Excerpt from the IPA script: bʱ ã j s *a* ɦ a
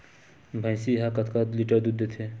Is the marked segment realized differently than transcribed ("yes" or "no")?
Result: yes